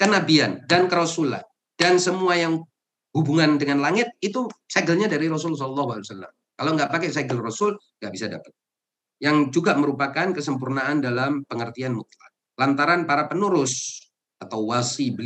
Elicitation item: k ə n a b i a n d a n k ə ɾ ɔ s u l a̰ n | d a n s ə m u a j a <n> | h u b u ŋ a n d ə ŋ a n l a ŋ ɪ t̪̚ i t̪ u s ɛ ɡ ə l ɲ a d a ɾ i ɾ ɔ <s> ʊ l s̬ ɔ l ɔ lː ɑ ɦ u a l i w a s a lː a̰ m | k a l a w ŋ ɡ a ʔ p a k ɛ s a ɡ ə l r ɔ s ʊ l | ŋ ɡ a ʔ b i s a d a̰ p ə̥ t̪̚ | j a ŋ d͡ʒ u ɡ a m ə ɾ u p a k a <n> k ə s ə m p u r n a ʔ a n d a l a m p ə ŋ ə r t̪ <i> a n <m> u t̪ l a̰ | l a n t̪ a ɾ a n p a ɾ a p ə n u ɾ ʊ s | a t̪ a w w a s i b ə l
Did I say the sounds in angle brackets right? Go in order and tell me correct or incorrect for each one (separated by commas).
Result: incorrect, correct, correct, correct, correct